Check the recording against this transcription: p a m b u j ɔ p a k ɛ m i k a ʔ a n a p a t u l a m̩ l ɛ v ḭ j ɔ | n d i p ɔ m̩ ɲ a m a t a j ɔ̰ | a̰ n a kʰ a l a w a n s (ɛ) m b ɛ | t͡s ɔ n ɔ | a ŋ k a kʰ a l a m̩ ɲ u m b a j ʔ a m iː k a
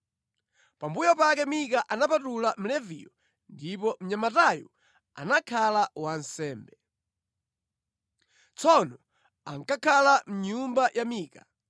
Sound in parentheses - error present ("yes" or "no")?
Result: yes